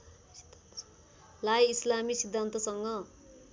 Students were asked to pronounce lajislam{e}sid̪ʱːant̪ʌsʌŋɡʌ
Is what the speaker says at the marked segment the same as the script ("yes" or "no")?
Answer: no